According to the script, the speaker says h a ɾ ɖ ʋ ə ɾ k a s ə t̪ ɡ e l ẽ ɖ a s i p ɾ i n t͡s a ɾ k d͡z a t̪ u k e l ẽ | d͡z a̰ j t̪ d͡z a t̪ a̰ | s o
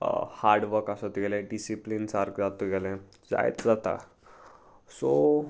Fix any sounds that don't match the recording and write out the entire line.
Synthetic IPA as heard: h a ɾ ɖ ʋ ə ɾ k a s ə t̪ ɡ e l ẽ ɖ i s i p l i n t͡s a ɾ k d͡z a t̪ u ɡ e l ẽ | d͡z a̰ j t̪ d͡z a t̪ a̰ | s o